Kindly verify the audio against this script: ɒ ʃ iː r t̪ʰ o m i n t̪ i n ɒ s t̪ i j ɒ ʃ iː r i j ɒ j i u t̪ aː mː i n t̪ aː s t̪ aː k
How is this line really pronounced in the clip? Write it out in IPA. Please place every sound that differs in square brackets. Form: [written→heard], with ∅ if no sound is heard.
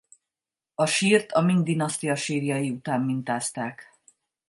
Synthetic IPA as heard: ɒ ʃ iː r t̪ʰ [o→ɒ] m i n [t̪→d̪] i n ɒ s t̪ i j ɒ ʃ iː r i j ɒ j i u t̪ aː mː i n t̪ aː s t̪ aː k